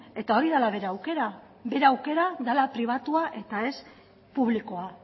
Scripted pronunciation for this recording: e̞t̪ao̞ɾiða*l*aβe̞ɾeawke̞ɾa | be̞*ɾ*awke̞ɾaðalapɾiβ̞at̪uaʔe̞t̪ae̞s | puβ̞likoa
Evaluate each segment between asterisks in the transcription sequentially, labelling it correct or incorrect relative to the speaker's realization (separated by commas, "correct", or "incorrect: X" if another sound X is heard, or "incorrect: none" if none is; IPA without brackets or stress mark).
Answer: correct, correct